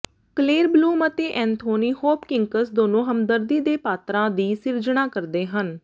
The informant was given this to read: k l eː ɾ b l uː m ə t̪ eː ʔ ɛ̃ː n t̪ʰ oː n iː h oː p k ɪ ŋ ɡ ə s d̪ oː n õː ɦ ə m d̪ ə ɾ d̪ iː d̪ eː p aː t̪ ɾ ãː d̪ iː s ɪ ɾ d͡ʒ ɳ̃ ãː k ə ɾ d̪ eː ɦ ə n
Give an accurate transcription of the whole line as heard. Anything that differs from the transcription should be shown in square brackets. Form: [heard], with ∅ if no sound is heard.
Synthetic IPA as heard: k l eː ɾ b l uː m ə t̪ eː ʔ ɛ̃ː n t̪ʰ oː n iː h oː p k ɪ ŋ [k] ə s d̪ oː n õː ɦ ə m d̪ ə ɾ d̪ iː d̪ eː p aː t̪ ɾ ãː d̪ iː s ɪ ɾ d͡ʒ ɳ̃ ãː k ə ɾ d̪ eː ɦ ə n